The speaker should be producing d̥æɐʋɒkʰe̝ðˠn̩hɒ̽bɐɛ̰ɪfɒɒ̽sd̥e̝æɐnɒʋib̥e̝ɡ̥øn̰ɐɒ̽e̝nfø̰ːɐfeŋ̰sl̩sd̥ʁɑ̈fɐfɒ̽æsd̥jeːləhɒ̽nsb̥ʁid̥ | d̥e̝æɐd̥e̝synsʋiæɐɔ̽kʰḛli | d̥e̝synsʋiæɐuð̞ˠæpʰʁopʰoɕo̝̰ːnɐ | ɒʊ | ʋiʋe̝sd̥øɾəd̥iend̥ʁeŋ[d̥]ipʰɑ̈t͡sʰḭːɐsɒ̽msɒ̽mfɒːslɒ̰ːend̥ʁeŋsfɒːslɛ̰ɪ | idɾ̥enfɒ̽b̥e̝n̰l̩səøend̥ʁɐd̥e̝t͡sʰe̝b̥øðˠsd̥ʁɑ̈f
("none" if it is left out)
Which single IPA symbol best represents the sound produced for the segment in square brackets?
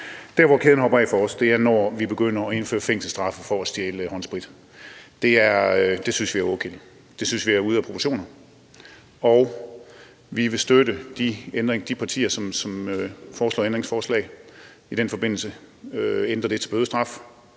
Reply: d̥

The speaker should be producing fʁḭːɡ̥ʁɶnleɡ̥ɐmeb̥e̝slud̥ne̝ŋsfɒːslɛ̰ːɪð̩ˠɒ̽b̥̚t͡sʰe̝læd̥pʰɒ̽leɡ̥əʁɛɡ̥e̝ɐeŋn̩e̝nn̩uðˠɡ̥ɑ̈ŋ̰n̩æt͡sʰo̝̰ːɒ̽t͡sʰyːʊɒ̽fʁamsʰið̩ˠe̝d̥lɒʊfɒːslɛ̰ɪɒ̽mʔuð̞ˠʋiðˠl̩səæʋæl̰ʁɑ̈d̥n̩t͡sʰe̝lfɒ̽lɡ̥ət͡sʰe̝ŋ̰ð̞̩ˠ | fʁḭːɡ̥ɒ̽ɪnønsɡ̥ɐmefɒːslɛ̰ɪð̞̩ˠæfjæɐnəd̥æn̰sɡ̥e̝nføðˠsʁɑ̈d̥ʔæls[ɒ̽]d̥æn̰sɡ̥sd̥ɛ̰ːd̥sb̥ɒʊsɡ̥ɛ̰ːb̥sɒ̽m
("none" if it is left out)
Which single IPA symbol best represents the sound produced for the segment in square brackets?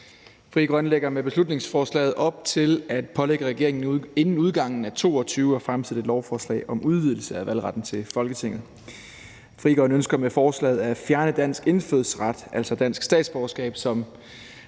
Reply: ɒ̽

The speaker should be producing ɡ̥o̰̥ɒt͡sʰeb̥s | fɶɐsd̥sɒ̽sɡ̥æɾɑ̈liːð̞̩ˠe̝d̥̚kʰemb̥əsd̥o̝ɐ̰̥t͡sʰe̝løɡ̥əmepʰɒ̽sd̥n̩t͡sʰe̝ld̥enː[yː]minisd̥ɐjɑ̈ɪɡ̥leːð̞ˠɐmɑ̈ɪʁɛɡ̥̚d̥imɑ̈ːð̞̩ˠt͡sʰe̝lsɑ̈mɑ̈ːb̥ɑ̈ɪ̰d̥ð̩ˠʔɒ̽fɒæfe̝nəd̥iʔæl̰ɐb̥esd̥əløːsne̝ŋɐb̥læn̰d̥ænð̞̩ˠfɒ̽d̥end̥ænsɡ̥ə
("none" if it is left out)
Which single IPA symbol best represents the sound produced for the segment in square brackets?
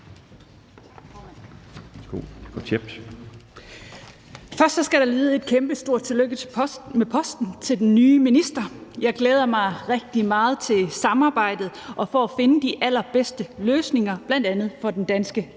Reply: yː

